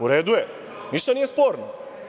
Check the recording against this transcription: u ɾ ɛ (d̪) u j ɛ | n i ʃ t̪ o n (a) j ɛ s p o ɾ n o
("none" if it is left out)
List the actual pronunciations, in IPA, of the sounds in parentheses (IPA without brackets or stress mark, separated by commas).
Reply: d̪, i